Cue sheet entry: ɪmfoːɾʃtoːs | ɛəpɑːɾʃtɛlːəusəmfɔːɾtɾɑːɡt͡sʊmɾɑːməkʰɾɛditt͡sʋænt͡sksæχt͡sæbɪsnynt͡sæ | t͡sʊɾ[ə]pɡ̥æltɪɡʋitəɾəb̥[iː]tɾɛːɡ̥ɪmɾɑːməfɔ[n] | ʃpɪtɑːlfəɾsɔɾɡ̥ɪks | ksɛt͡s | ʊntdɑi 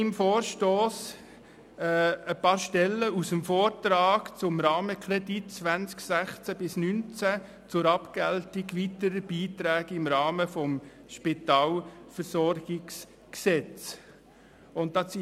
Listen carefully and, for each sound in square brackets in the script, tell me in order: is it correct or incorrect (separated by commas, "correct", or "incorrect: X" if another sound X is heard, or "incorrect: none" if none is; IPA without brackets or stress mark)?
incorrect: ɑ, correct, incorrect: m